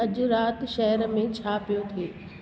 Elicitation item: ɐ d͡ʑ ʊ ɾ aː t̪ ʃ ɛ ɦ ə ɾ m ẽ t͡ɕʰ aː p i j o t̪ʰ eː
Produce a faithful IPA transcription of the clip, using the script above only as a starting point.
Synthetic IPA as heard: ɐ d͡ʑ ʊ ɾ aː t̪ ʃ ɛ ɦ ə ɾ m ẽ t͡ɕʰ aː p i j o t̪ʰ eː